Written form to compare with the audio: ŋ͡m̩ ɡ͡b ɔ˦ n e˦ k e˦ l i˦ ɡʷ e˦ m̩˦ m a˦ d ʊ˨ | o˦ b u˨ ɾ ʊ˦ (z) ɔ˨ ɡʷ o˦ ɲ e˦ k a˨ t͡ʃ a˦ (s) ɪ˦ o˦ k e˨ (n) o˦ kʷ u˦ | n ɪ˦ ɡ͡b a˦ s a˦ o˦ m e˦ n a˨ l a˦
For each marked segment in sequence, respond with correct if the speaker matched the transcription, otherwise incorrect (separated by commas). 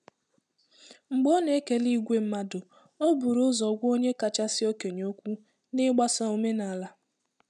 correct, correct, incorrect